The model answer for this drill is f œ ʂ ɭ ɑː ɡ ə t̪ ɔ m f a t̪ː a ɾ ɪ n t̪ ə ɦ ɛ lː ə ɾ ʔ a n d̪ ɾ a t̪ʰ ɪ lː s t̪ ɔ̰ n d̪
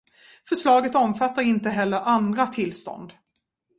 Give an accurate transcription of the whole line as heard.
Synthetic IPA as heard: f œ ʂ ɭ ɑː ɡ ə t̪ ɔ m f a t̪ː a ɾ ɪ n t̪ ə ɦ ɛ lː ə ɾ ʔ a n d̪ ɾ a t̪ʰ ɪ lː s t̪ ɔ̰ n d̪

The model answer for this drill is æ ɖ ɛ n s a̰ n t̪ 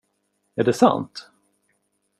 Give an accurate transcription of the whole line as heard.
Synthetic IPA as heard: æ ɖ ɛ s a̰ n t̪

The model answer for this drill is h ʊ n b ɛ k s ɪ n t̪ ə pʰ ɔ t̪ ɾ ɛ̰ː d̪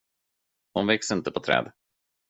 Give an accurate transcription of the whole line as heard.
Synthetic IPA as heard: h ʊ n v ɛ k s ɪ n t̪ ə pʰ ɔ t̪ʰ ɾ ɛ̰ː d̪

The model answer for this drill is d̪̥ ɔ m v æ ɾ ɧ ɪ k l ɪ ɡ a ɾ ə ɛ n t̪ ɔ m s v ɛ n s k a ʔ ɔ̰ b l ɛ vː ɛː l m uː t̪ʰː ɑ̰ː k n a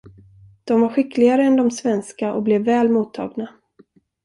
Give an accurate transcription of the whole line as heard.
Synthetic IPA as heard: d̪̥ ɔ m v a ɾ ɧ ɪ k l ɪ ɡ a ɾ ə ɛ n d̪ ɔ m s v ɛ n s k a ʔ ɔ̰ b l ɛ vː ɛː l m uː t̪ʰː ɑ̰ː ɡ n a

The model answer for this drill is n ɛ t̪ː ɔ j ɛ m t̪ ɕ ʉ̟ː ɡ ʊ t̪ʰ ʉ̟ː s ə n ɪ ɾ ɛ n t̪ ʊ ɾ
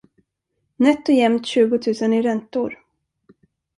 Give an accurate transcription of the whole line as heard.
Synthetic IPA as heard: n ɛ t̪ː ɔ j ɛ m t̪ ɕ ʉ̟ː ɡ ʊ t̪ʰ ʉ̟ː s ə n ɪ ɾ ɛ n t̪ ʊ ɾ

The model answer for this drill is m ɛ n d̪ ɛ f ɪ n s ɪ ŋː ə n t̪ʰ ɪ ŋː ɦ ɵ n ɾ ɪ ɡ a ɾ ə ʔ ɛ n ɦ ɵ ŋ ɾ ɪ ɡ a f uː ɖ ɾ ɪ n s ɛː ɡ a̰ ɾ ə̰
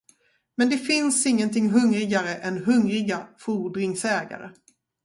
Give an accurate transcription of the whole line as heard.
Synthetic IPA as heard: m ɛ n d̪ ɛ f ɪ n s ɪ ŋː ə n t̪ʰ ɪ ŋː ɦ ɵ ŋ ɾ ɪ ɡ a ɾ ə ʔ ɛ n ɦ ɵ ŋ ɾ ɪ ɡ a f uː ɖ ɾ ɪ ŋ s ɛː ɡ a̰ ɾ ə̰

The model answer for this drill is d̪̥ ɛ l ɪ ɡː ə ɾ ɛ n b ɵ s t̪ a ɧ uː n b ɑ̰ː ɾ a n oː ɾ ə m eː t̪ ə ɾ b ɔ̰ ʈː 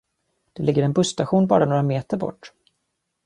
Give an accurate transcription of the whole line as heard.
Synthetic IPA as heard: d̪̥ ɛ l ɪ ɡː ə ɾ ɛ n b ɵ s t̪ a ɧ uː n b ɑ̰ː ɾ a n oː ɾ a m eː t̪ ə ɾ b ɔ̰ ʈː

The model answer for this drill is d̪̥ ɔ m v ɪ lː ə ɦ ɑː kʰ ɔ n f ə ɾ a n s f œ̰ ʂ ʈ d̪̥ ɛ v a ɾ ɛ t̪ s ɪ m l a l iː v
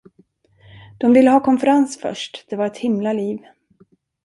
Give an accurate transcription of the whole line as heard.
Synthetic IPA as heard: d̪̥ ɔ m v ɪ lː ə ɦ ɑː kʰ ɔ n f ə ɾ a n s f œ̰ ʂ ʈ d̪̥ ɛ v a ɾ ɛ t̪ h ɪ m l a l iː v

